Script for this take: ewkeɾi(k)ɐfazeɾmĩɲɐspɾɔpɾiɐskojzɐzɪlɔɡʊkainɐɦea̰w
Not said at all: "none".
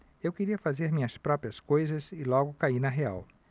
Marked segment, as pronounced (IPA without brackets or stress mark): none